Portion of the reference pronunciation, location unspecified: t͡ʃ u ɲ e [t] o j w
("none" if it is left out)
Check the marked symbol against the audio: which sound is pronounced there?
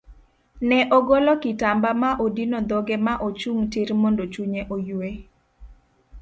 ʔ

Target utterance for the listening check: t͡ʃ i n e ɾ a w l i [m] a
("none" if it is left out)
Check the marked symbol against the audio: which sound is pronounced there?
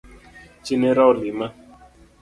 m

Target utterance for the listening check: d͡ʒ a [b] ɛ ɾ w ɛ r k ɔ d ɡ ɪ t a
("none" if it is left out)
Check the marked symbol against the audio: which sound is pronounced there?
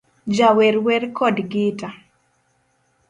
w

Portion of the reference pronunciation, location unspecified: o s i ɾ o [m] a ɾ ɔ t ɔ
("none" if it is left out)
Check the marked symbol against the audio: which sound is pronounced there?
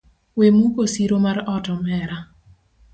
m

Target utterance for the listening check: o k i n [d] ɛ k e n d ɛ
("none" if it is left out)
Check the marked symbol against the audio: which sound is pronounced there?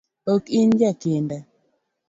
d͡ʒ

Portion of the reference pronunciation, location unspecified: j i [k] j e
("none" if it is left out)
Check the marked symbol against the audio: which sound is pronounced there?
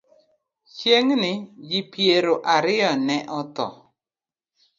p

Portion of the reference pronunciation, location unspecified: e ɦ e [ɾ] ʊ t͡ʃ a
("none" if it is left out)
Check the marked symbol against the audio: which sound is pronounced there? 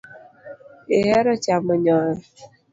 ɾ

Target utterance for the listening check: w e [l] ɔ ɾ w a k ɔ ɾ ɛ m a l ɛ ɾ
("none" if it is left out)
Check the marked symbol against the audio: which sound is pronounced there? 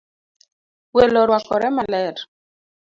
l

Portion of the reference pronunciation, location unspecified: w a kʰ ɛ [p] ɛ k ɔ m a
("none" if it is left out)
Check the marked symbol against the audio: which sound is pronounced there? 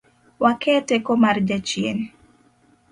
t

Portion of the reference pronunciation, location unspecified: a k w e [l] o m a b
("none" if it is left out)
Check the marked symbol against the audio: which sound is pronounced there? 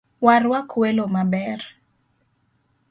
l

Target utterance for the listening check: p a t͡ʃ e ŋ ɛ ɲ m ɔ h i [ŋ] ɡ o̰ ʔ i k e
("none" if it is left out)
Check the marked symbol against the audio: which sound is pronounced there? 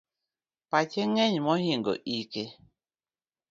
ŋ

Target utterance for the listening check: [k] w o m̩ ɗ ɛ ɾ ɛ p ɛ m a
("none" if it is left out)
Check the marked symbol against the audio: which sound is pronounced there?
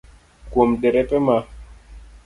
k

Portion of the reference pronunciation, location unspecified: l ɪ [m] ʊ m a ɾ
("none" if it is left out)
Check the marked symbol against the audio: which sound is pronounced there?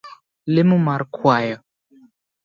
m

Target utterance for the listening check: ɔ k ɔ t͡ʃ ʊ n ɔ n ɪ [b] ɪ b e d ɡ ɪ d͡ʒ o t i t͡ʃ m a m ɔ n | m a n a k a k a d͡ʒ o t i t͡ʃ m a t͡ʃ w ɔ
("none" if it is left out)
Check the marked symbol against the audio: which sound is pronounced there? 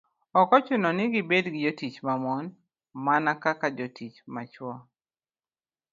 ɡ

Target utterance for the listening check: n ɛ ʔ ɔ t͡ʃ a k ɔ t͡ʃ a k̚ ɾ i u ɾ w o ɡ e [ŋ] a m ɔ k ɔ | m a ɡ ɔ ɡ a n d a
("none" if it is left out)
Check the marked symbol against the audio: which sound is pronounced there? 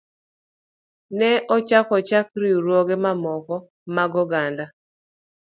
m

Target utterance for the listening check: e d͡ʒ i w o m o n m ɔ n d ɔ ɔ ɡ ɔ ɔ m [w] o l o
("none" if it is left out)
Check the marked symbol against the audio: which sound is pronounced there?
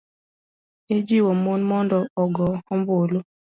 b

